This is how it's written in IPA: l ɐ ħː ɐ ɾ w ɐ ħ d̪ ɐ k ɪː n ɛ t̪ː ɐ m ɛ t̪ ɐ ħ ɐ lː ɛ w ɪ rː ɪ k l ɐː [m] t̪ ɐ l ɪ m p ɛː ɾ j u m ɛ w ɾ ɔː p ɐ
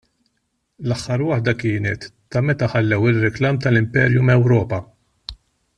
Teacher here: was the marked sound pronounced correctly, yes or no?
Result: yes